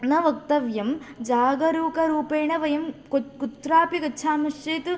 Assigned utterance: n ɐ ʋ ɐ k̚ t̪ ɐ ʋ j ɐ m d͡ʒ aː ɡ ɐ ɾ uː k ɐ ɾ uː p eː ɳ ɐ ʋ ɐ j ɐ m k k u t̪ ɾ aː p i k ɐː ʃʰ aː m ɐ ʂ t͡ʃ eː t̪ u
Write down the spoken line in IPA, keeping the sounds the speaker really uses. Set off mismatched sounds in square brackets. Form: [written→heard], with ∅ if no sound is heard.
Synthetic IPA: n ɐ ʋ ɐ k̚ t̪ ɐ ʋ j ɐ m d͡ʒ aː ɡ ɐ ɾ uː k ɐ ɾ uː p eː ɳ ɐ ʋ ɐ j ɐ m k k u t̪ ɾ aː p i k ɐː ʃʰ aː m ɐ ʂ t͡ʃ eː t̪ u